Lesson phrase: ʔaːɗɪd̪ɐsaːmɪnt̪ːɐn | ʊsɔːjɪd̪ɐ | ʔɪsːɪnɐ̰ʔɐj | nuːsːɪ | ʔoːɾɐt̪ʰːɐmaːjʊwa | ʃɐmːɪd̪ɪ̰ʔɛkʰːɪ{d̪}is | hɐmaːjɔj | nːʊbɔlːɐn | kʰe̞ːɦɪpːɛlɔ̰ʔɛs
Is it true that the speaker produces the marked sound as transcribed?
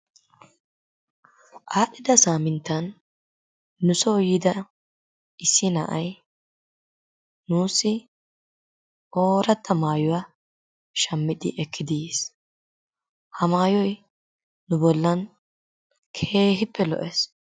yes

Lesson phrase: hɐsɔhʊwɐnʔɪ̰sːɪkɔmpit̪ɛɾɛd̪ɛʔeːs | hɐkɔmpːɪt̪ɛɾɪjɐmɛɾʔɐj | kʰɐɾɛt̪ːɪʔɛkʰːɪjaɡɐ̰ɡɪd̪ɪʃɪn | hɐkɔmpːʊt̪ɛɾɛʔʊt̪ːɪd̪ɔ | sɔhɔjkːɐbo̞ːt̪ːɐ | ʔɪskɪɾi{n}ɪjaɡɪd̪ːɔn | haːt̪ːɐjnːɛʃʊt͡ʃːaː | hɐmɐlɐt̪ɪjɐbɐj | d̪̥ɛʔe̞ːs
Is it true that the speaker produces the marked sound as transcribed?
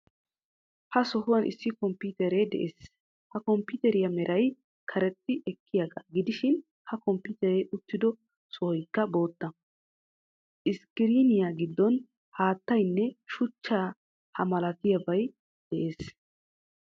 yes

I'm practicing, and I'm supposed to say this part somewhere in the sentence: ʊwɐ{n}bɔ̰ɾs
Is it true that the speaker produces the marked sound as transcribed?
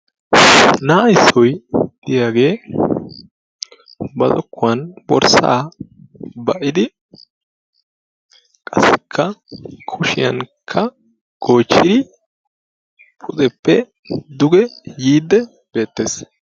yes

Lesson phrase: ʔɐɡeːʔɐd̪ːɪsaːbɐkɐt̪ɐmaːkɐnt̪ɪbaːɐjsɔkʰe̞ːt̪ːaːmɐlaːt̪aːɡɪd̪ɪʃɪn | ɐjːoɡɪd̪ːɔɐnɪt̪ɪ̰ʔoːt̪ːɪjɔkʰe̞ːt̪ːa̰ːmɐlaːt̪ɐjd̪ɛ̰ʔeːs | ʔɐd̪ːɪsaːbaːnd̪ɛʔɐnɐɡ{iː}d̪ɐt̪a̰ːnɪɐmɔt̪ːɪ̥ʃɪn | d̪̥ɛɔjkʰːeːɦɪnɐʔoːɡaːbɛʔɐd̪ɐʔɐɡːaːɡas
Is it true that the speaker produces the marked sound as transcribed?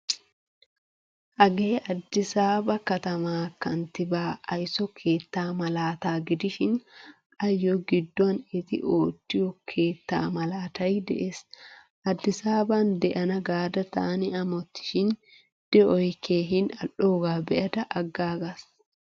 no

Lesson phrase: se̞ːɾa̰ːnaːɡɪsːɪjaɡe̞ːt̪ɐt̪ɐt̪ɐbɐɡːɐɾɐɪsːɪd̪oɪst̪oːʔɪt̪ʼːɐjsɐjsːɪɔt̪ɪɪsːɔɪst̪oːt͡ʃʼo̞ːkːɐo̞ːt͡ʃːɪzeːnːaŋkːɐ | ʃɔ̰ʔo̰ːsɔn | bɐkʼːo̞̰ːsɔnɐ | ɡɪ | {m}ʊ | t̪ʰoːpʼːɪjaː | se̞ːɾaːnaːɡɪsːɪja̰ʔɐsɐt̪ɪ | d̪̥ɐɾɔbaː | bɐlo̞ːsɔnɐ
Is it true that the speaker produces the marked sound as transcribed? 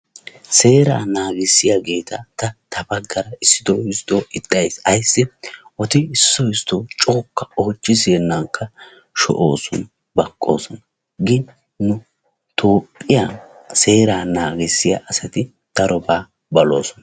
no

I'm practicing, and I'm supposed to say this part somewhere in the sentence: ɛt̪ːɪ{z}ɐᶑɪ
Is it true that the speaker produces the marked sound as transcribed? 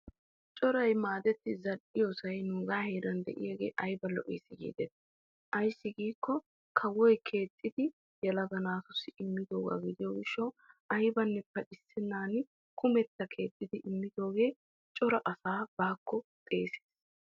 yes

